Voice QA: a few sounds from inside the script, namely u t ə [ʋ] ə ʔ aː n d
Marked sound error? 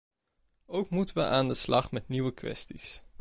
no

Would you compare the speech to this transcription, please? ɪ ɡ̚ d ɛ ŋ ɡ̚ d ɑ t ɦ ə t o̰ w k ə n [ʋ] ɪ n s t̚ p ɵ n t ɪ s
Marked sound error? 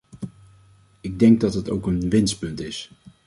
no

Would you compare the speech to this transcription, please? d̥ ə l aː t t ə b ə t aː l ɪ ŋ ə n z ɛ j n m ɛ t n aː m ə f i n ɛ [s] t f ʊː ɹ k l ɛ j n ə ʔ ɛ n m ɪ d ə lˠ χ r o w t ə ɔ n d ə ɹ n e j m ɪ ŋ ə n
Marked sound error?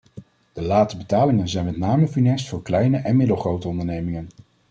no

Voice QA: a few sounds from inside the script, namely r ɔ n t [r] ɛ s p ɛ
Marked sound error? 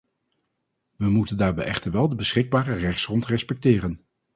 no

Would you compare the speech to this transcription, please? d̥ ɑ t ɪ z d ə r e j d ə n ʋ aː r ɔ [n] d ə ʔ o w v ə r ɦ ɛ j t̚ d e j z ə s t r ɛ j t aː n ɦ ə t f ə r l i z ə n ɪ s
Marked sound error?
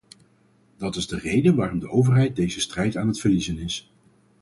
yes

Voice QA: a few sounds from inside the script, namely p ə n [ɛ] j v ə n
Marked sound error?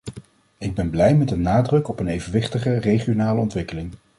yes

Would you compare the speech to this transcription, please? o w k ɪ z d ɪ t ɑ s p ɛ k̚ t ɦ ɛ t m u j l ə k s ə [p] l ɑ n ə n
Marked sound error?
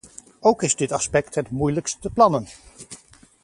no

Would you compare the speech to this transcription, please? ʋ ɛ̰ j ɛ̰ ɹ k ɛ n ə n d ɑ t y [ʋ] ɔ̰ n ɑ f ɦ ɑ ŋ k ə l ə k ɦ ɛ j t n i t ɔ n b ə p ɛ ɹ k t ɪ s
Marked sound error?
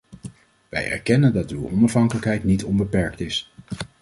yes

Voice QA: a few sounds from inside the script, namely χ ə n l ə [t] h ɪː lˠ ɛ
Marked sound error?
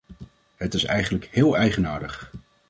yes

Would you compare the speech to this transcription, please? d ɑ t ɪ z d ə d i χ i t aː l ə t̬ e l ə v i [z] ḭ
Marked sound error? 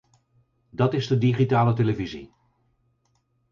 no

